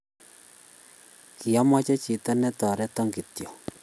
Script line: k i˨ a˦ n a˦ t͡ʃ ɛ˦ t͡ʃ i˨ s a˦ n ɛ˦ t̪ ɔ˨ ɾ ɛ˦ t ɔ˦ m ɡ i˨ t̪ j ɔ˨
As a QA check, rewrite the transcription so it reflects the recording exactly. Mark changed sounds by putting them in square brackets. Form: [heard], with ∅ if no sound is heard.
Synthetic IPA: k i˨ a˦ [m] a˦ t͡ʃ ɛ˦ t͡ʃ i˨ [t] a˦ n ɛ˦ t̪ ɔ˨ ɾ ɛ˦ t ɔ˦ [ŋ] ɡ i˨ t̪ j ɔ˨